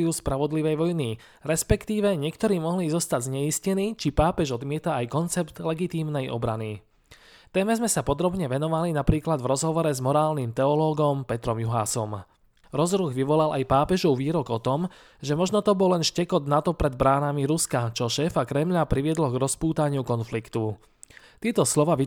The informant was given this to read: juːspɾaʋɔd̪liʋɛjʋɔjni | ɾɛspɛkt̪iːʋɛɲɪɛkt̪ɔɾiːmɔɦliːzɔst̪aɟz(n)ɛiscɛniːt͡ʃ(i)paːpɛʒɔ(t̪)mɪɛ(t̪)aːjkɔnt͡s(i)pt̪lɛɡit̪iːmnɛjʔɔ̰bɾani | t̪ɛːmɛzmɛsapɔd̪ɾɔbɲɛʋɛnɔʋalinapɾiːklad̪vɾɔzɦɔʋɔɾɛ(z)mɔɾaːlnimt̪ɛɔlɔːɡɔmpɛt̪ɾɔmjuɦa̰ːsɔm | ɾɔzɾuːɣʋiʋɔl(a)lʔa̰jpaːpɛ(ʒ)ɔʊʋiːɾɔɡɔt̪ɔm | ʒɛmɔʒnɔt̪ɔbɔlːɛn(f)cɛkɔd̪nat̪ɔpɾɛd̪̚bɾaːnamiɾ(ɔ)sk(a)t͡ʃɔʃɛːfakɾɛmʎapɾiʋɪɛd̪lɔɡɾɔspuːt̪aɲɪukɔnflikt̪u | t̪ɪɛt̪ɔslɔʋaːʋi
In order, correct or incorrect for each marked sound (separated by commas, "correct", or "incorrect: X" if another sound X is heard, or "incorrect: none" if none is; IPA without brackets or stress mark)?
incorrect: ɲ, correct, incorrect: d̪, correct, incorrect: ɛ, correct, correct, correct, incorrect: ʃ, incorrect: u, correct